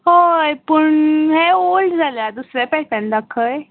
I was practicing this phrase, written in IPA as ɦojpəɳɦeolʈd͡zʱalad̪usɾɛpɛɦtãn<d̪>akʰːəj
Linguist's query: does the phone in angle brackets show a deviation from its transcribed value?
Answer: no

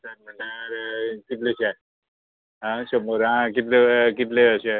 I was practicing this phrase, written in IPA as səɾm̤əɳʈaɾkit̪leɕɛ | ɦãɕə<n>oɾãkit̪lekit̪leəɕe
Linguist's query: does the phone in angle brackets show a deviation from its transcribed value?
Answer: yes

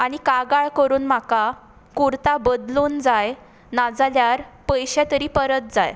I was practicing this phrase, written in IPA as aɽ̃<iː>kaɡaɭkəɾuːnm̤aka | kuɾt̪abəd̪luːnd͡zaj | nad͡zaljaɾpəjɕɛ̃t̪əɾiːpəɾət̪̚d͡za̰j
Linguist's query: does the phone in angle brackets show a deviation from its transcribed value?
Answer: yes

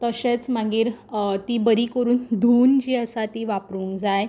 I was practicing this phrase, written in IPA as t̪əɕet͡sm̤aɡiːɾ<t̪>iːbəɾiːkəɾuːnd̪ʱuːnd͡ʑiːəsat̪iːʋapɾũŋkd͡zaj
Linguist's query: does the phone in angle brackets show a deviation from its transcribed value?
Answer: no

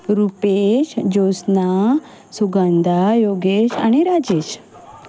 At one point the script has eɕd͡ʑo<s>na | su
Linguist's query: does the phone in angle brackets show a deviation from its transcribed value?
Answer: no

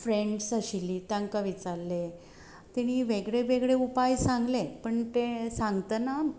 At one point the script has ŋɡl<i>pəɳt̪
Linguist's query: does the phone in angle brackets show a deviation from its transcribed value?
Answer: yes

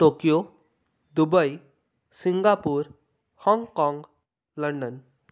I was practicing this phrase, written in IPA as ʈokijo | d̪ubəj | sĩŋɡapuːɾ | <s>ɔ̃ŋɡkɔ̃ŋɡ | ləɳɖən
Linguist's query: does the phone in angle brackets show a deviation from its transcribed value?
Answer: yes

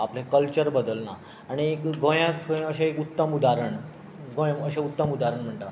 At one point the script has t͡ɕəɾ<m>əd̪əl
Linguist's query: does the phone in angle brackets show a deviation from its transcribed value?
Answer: yes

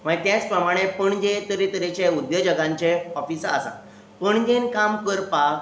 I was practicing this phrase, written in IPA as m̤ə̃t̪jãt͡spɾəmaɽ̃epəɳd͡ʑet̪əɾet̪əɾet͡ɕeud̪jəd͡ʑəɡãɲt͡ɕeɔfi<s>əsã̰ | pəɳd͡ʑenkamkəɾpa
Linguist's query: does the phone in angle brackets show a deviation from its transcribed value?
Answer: no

